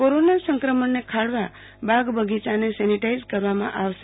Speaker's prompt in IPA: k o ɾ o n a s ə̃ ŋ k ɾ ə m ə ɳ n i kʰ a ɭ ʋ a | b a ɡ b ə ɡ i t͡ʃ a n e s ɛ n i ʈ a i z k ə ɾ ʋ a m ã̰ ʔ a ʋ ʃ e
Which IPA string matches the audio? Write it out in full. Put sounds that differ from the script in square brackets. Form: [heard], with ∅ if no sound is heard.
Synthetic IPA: k o ɾ o n a s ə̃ ŋ k ɾ ə m ə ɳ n [e] kʰ a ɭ ʋ a | b a ɡ b ə ɡ i t͡ʃ a n e s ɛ n i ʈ a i z k ə ɾ ʋ a m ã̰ ʔ a ʋ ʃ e